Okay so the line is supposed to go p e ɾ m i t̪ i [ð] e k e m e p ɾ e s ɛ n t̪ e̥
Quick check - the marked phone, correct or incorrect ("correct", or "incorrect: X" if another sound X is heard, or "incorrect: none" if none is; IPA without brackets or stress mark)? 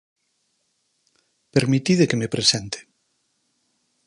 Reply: correct